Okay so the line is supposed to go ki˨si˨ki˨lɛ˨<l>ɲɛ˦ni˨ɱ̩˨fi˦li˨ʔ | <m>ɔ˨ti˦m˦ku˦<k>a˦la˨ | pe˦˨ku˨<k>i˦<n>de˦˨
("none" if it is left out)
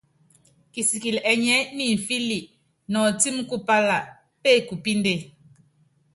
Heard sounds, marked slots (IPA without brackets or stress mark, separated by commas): none, n, p, p, n